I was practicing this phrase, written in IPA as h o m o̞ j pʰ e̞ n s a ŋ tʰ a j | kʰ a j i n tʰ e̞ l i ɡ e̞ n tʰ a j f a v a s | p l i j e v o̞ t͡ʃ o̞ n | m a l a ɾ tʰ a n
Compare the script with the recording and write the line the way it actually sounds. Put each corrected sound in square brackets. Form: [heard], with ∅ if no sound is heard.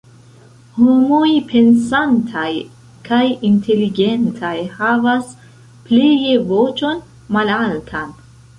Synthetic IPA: h o m o̞ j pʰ e̞ n s a [n] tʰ a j | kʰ a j i n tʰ e̞ l i ɡ e̞ n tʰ a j [h] a v a s | p l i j e v o̞ t͡ʃ o̞ n | m a l a [l] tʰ a n